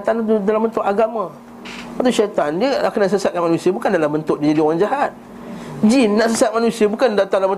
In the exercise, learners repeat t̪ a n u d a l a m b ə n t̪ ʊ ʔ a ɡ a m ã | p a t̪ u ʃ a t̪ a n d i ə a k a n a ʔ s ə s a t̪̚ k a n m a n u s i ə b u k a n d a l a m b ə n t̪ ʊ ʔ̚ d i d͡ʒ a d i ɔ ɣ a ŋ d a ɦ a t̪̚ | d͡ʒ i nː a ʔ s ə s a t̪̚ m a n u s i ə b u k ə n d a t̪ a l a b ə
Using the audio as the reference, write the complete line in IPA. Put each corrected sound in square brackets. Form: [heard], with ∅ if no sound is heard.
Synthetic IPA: t̪ a n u d a l a m b ə n t̪ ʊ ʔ a ɡ a m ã | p a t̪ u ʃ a t̪ a n d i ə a k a n a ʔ s ə s a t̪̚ k a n m a n u s i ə b u k a n d a l a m b ə n t̪ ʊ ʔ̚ d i d͡ʒ a d i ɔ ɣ a ŋ [d͡ʒ] a ɦ a t̪̚ | d͡ʒ i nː a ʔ s ə s a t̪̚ m a n u s i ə b u k [a] n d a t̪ a l a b ə